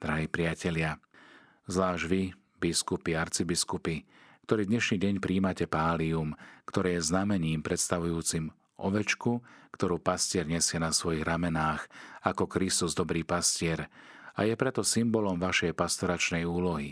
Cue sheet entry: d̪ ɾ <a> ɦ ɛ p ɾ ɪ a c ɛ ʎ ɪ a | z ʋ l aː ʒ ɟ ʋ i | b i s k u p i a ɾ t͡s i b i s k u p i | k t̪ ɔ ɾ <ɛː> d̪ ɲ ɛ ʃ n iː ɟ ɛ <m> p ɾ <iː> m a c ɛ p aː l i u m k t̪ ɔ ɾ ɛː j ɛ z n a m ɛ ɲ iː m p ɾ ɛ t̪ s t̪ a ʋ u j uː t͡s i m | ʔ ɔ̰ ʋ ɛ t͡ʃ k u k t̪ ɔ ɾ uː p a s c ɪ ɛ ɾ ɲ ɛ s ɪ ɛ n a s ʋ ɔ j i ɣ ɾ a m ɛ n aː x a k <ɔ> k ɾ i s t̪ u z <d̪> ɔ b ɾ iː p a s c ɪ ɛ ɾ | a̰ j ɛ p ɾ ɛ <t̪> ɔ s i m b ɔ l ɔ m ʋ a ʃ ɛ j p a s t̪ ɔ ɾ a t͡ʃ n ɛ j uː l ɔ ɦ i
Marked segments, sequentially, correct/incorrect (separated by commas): correct, incorrect, incorrect, correct, correct, correct, correct